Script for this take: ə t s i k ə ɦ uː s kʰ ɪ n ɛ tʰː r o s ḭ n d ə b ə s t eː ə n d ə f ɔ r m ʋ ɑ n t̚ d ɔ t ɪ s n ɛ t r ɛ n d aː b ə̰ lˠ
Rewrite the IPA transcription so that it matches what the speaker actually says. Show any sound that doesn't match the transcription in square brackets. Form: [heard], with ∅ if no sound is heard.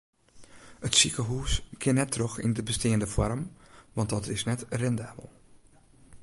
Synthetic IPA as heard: ə t s i k ə ɦ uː s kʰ ɪ n ɛ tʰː r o [x] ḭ n d ə b ə s t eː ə n d ə f ɔ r m ʋ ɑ n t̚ d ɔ t ɪ s n ɛ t r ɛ n d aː b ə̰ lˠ